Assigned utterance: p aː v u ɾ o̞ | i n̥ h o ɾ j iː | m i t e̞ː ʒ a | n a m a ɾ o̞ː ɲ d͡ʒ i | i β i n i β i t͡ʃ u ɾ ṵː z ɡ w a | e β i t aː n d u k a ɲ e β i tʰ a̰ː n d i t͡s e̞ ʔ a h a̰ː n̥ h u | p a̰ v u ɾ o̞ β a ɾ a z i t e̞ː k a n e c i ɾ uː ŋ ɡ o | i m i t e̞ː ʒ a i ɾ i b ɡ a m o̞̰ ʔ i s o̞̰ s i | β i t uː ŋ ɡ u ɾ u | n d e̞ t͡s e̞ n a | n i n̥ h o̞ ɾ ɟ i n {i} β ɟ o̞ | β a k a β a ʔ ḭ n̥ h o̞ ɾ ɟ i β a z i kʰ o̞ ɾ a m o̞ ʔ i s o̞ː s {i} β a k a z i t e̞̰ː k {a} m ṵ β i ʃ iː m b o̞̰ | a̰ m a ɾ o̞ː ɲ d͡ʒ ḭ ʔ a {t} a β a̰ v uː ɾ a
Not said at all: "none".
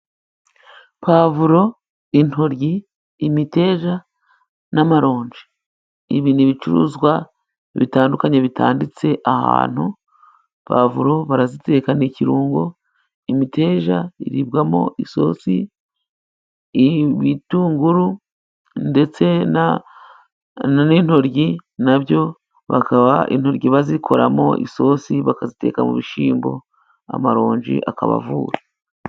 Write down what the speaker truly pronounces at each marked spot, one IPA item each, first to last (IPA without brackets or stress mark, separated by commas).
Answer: a, i, a, k